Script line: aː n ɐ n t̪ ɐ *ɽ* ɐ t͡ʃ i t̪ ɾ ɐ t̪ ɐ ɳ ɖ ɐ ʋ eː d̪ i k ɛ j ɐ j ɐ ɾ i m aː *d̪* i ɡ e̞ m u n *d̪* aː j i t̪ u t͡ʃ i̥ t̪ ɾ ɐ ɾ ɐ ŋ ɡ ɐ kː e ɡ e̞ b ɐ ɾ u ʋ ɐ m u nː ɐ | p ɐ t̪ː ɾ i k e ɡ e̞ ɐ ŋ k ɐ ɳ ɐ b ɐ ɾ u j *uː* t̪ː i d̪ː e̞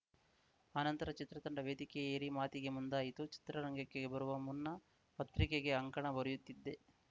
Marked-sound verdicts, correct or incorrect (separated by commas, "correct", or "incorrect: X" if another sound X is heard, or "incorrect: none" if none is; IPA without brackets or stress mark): incorrect: ɾ, incorrect: t̪, correct, incorrect: u